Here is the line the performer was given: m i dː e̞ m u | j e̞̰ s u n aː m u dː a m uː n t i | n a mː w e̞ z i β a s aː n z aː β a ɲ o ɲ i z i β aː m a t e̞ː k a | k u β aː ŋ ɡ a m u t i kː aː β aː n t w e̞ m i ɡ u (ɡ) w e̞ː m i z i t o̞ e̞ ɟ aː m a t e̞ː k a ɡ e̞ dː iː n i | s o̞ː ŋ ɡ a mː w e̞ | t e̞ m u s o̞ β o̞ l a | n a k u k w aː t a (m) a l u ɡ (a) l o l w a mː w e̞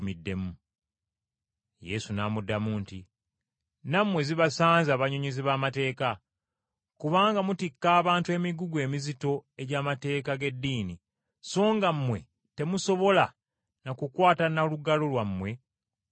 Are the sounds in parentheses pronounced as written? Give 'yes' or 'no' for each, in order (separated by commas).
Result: yes, no, yes